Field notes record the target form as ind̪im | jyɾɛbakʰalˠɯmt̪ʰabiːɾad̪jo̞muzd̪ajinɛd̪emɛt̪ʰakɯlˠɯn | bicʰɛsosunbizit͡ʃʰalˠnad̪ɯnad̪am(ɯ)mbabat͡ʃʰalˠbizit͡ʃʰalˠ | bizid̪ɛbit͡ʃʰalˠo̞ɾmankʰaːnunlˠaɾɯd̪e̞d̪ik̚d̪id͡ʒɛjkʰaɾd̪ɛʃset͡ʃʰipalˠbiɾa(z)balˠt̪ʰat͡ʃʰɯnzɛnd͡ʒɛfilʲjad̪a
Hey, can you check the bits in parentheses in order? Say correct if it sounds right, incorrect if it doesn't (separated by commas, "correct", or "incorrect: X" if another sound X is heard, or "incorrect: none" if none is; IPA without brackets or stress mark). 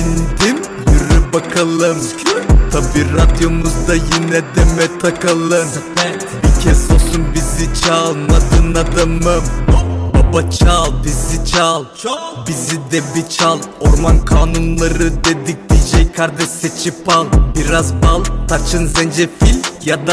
correct, correct